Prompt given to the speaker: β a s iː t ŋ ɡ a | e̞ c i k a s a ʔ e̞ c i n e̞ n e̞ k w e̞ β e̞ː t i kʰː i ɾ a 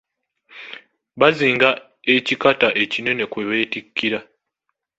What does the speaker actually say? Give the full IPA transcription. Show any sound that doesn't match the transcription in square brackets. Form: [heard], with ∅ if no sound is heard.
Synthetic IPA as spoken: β a [z] iː [∅] ŋ ɡ a | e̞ c i k a [t] a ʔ e̞ c i n e̞ n e̞ k w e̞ β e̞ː t i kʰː i ɾ a